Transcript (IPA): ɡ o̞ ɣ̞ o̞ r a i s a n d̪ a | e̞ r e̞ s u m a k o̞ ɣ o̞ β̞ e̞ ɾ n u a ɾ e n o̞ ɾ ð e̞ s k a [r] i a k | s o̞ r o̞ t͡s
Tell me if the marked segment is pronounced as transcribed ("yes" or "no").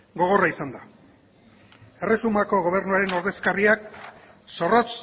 yes